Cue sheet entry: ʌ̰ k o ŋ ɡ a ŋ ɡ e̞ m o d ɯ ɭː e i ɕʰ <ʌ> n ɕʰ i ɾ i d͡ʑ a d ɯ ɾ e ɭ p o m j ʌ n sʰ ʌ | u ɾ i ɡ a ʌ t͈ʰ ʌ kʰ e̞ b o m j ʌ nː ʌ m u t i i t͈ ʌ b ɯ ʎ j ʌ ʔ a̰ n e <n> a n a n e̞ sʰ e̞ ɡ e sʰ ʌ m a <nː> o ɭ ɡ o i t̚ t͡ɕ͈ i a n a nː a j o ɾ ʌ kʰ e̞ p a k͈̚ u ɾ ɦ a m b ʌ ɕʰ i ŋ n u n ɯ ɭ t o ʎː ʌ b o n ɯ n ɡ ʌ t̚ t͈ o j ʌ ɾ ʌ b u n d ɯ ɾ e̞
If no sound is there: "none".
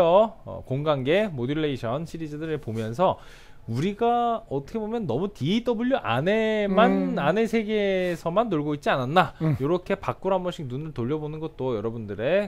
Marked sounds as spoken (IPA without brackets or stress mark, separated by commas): ʌ, m, nː